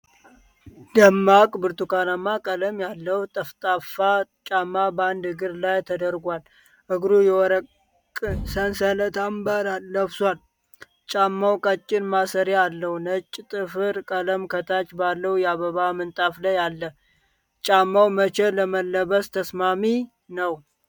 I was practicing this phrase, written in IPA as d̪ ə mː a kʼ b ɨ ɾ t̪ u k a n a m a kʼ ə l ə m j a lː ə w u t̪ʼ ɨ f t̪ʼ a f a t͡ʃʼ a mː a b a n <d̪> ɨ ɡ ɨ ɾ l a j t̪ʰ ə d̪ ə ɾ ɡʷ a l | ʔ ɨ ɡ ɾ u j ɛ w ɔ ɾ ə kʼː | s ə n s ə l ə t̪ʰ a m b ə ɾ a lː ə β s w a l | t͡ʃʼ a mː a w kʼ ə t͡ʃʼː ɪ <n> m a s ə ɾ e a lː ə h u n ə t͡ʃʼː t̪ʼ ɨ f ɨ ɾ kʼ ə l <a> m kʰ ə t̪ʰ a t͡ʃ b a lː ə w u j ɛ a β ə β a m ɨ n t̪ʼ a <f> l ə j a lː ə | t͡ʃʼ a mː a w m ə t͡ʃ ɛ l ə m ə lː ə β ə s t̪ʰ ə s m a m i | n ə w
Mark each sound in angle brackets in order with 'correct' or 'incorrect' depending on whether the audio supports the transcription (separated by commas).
correct, correct, incorrect, correct